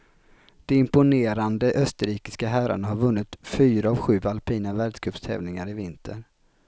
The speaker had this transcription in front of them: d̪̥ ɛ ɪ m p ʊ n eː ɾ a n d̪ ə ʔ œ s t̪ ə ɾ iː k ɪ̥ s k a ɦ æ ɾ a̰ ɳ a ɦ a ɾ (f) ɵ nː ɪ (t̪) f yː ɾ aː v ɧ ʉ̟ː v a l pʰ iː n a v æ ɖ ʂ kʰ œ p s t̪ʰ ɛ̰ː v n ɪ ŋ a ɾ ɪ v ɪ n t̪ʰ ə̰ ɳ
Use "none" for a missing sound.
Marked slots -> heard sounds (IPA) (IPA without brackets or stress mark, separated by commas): v, t̪